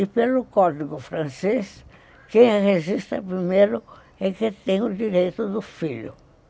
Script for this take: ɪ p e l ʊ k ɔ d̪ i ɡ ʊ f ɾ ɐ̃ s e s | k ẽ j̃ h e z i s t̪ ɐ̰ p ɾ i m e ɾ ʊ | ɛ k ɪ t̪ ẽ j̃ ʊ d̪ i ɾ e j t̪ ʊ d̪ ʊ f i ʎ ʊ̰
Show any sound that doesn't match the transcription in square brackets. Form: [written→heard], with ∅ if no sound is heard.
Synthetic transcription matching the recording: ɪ p e l ʊ k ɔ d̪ i ɡ ʊ f ɾ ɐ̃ s e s | k ẽ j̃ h e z i s t̪ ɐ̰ p ɾ i m e ɾ ʊ | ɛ k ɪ t̪ ẽ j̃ ʊ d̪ i ɾ e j t̪ ʊ d̪ ʊ f i ʎ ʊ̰